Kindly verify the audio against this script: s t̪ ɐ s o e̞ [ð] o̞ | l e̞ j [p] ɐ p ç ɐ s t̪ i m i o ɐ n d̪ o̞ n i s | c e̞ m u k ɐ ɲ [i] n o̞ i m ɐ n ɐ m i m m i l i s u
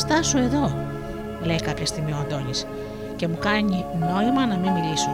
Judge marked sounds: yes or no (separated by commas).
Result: yes, no, yes